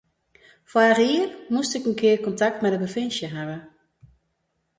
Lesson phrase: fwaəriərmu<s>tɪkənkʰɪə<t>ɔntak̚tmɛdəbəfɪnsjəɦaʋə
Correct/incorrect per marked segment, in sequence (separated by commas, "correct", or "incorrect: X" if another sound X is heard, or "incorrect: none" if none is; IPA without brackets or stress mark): correct, incorrect: k